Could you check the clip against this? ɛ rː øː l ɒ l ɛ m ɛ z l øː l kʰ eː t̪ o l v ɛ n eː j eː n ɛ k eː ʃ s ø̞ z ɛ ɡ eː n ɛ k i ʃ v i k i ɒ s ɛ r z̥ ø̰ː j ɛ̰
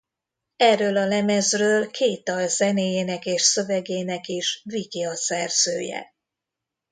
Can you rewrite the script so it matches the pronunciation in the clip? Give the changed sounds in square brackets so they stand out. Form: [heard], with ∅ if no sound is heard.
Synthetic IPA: ɛ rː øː l ɒ l ɛ m ɛ z [r] øː l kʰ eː t̪ [ɒ] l [z] ɛ n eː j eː n ɛ k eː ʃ s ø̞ [v] ɛ ɡ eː n ɛ k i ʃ v i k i ɒ s ɛ r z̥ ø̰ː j ɛ̰